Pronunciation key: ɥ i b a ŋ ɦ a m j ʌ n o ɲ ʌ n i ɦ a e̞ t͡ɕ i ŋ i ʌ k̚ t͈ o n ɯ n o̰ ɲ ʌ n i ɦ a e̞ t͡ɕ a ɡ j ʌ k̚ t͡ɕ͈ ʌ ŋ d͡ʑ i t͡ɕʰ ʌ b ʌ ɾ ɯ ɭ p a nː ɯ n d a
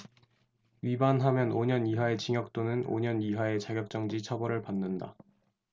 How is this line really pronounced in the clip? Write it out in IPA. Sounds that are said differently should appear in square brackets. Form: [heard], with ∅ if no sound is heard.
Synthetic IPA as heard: ɥ i b a [n] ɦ a m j ʌ n o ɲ ʌ n i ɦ a e̞ t͡ɕ i ŋ [j] ʌ k̚ t͈ o n ɯ n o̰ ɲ ʌ n i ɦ a e̞ t͡ɕ a ɡ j ʌ k̚ t͡ɕ͈ ʌ ŋ d͡ʑ i t͡ɕʰ ʌ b ʌ ɾ ɯ ɭ p a nː ɯ n d a